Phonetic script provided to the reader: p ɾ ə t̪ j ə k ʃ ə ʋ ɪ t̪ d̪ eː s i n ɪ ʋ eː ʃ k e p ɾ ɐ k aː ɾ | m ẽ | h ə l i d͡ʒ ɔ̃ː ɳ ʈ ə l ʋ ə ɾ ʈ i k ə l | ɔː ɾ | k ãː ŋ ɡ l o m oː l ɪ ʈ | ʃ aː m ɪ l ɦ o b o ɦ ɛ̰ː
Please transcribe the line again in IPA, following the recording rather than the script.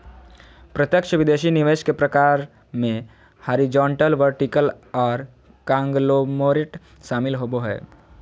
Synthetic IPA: p ɾ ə t̪ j ə k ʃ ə ʋ ɪ d̪ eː ʃ i n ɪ ʋ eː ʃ k e p ɾ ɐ k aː ɾ | m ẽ | h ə ɾ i d͡ʒ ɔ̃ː ɳ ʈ ə l ʋ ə ɾ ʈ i k ə l | ɔː ɾ | k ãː ŋ ɡ l o m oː ɾ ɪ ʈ | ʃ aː m ɪ l ɦ o b o ɦ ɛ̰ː